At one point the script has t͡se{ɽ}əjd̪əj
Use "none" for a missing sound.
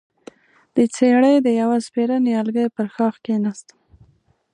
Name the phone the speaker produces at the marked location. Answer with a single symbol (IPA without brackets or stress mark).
ɽ